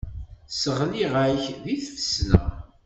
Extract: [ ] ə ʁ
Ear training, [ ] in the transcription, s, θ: s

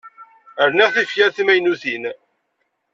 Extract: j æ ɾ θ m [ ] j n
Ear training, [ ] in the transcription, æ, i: æ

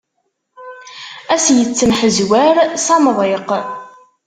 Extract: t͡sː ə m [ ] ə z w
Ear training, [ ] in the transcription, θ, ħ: ħ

